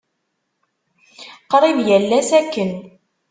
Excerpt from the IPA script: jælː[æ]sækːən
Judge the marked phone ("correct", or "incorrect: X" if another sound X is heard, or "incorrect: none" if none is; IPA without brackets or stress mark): correct